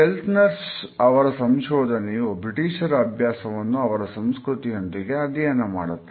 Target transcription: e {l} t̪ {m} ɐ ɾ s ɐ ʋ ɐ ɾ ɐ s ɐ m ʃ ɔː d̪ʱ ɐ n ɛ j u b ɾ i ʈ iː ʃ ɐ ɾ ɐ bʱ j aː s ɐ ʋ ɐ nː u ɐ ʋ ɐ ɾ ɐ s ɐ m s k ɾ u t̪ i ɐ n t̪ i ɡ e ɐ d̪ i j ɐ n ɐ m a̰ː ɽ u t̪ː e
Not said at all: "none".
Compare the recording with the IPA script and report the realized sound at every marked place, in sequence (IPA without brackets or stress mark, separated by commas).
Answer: l, n